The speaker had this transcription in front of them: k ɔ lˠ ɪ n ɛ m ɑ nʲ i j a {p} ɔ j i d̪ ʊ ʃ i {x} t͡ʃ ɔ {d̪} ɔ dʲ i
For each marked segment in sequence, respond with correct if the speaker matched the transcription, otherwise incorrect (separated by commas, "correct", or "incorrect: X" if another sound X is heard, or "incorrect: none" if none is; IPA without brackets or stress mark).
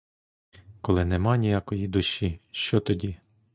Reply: incorrect: k, incorrect: ʃ, incorrect: t̪